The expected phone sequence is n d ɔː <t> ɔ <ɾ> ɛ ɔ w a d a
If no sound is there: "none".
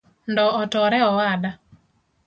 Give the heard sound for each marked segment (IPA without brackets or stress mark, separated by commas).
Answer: t, ɾ